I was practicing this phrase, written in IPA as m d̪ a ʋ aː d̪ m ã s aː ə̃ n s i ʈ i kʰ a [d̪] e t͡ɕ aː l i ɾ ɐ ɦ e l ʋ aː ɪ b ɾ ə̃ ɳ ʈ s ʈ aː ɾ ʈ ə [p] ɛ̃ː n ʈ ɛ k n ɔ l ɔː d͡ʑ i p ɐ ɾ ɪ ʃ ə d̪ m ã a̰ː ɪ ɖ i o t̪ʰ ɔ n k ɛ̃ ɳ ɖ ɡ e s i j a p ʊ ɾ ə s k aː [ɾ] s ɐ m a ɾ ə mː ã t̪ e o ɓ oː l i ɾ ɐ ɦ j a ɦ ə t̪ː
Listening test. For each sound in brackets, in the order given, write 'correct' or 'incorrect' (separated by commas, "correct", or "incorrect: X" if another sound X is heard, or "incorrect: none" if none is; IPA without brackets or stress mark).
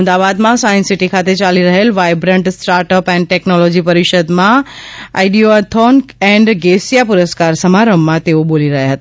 incorrect: t̪, correct, correct